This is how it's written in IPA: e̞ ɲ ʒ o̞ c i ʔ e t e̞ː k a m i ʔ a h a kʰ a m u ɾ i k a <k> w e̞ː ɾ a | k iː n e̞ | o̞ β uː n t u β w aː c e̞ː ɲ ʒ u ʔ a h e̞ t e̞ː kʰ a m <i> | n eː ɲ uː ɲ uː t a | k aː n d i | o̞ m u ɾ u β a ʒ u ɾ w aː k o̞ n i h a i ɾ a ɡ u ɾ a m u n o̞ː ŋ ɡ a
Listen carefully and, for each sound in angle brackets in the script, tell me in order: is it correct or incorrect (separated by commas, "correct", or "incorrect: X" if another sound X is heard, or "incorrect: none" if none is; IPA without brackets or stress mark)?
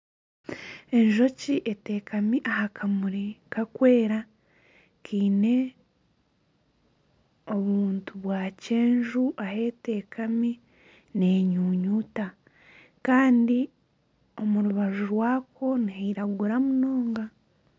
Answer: correct, correct